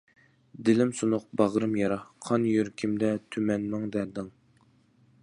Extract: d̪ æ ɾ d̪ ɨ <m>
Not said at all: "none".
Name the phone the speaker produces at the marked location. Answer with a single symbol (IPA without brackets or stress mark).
ŋ